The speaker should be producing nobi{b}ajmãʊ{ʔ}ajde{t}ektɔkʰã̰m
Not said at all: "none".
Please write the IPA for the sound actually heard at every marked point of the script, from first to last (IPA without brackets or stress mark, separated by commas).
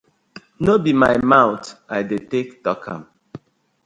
m, t, t